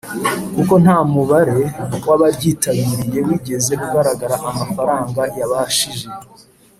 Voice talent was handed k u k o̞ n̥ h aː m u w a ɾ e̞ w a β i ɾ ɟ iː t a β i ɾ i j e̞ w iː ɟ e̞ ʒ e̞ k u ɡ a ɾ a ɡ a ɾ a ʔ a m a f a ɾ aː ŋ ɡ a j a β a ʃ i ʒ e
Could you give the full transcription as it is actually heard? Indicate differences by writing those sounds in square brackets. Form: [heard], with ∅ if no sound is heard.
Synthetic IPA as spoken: k u k o̞ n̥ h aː m u [β] a ɾ e̞ w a β [a] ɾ ɟ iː t a β i ɾ i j e̞ w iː ɟ e̞ [z] e̞ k u ɡ a ɾ a ɡ a ɾ a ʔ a m a f a ɾ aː ŋ ɡ a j a β a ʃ i ʒ e